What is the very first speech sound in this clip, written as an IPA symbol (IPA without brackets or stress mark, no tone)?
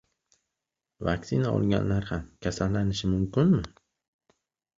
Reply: v